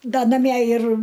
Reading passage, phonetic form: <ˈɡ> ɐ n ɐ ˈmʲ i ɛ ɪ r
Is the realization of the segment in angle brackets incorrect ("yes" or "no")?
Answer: yes